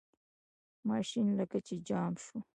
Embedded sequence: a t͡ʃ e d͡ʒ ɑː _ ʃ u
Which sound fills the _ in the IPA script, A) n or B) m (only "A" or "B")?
B